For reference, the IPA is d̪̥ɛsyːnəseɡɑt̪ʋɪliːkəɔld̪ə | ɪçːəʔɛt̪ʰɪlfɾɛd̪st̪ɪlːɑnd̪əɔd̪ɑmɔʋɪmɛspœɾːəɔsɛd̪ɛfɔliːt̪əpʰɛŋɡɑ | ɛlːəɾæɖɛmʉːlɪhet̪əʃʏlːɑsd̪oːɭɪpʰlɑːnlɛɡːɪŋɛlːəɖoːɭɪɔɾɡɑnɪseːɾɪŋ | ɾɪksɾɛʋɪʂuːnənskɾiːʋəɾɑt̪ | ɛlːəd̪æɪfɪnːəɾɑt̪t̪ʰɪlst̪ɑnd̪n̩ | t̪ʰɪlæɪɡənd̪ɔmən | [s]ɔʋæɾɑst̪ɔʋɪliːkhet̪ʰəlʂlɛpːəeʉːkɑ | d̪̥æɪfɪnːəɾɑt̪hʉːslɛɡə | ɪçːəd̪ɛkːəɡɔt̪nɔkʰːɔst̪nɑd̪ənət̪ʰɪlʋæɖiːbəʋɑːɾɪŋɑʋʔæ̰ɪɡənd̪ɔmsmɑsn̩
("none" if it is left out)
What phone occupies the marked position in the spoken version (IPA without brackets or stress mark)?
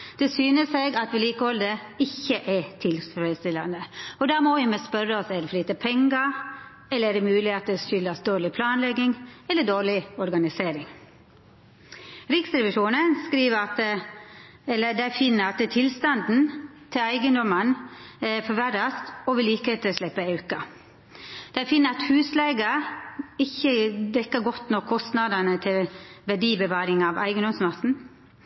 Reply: f